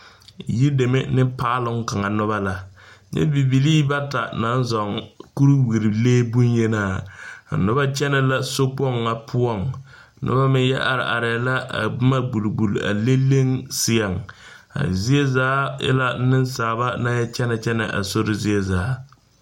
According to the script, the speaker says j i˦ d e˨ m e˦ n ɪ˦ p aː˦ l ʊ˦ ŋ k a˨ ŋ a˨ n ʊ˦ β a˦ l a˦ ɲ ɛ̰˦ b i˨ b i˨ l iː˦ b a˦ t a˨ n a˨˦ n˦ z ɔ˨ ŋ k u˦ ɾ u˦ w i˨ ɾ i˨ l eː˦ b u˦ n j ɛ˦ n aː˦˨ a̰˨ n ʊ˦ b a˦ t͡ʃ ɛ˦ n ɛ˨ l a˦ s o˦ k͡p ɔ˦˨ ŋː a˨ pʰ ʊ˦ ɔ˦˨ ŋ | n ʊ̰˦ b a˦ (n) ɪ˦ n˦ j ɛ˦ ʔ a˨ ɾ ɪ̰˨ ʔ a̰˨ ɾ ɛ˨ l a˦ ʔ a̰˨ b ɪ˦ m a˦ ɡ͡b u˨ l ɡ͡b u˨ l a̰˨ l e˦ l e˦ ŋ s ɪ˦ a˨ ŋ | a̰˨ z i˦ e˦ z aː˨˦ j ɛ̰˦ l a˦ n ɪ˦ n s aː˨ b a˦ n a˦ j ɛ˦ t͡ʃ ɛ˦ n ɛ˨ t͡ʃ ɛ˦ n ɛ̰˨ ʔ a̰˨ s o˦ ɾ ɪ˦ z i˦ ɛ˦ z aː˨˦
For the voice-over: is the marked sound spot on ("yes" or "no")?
no